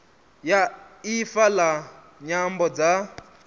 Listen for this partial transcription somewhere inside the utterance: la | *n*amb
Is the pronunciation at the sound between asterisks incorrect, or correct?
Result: incorrect